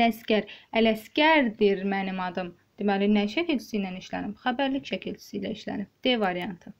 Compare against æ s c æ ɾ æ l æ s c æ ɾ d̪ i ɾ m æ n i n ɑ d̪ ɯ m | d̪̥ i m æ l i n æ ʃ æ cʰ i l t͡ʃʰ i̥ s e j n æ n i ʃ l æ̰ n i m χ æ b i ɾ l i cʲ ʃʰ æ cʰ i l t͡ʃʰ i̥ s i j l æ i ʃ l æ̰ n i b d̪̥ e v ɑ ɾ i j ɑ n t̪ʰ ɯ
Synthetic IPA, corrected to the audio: æ s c æ ɾ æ l æ s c æ ɾ d̪ i ɾ m æ n i m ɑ d̪ ɯ m | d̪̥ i m æ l i n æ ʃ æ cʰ i l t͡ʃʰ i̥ s i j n æ n i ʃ l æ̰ n i m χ æ b æ ɾ l i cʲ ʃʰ æ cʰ i l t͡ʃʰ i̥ s i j l æ i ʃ l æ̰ n i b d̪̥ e v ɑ ɾ i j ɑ n t̪ʰ ɯ